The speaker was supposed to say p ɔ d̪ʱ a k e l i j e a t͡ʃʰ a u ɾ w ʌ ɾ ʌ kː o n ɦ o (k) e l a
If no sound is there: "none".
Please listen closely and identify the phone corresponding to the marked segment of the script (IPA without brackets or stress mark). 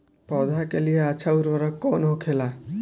kʰ